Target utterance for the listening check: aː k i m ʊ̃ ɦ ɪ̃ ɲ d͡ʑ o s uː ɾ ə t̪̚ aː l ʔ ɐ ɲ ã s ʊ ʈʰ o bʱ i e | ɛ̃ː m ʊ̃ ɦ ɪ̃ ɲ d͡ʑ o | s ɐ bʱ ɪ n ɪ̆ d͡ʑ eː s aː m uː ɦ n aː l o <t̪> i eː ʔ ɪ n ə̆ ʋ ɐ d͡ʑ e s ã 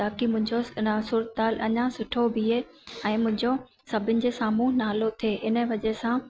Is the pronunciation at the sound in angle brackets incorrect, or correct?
incorrect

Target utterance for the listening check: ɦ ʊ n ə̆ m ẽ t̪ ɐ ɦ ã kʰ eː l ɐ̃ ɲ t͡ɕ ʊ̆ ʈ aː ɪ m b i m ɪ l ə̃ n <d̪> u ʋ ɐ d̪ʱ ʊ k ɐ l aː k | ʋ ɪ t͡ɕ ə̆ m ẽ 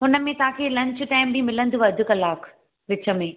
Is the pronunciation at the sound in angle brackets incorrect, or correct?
correct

